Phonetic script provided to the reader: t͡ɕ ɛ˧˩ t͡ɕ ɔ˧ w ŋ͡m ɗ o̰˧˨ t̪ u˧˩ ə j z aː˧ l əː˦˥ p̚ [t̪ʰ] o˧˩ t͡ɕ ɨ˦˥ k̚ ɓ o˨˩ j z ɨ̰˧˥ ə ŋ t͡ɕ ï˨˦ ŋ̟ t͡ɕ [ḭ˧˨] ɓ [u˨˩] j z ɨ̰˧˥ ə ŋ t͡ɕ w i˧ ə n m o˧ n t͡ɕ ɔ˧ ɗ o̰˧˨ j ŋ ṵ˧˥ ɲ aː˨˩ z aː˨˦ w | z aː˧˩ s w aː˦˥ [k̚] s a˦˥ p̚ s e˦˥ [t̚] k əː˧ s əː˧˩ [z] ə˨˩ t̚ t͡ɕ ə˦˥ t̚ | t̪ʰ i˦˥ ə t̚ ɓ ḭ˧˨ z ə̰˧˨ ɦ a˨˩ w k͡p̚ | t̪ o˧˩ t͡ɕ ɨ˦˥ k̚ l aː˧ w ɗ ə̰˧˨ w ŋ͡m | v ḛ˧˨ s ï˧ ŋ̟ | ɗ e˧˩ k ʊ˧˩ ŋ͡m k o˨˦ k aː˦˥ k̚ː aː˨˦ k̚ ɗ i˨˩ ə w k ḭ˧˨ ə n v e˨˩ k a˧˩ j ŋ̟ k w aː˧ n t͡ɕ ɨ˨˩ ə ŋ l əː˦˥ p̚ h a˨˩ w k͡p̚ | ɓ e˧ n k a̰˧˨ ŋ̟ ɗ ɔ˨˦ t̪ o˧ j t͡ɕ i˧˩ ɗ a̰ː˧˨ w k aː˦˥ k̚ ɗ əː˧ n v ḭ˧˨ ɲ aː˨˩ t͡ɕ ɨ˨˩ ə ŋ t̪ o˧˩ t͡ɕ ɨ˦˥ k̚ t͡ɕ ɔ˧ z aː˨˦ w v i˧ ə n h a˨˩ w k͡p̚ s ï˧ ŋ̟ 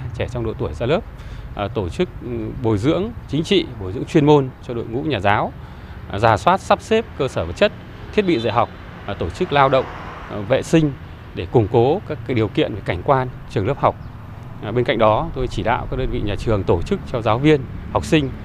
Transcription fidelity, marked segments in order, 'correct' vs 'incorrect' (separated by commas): incorrect, correct, incorrect, incorrect, incorrect, incorrect